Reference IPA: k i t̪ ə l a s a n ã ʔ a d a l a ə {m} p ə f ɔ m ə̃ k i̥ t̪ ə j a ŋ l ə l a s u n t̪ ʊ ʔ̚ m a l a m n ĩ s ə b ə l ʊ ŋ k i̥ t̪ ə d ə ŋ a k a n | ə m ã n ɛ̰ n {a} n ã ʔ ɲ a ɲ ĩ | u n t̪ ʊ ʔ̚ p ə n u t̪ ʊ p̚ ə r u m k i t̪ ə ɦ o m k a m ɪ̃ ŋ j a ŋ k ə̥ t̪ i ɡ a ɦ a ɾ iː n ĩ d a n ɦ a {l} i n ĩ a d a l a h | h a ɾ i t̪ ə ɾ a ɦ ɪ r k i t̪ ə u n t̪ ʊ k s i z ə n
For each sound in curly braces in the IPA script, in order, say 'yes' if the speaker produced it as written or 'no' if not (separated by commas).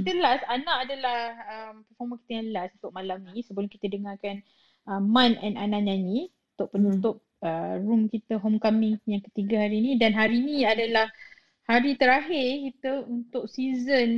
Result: yes, yes, no